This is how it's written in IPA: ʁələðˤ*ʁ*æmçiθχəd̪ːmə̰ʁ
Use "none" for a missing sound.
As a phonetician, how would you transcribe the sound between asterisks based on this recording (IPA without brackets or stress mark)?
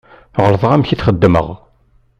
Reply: ʁ